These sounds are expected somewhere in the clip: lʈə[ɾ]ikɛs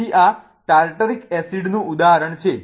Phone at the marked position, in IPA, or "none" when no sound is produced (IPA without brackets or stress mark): ɾ